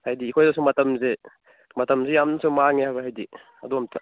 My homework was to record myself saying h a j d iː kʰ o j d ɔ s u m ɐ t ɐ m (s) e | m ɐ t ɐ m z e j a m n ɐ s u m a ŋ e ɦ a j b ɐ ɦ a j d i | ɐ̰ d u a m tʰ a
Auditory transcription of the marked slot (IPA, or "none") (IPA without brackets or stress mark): z